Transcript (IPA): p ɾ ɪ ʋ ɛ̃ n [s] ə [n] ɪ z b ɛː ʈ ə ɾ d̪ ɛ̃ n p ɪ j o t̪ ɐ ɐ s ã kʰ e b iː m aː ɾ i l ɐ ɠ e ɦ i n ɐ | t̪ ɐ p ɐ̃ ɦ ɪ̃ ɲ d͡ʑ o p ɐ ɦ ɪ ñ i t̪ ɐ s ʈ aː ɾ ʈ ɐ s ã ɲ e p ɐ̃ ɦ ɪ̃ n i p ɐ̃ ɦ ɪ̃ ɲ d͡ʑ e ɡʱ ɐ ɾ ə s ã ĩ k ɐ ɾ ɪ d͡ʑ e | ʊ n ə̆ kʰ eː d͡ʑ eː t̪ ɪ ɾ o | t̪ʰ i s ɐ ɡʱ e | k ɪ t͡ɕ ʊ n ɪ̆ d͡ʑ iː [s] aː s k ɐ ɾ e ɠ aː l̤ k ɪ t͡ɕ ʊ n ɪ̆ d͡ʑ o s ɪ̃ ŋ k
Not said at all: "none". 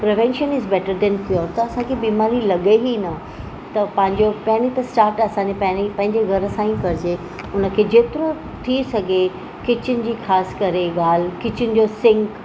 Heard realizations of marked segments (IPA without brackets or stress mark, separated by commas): ʃ, n, x